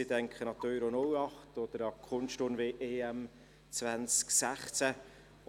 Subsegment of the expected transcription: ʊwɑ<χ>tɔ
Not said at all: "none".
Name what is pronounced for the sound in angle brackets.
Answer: χ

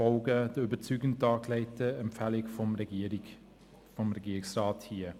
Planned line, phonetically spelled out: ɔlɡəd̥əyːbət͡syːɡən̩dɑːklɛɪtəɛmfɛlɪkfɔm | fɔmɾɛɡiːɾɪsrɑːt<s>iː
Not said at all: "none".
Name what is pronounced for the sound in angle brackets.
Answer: h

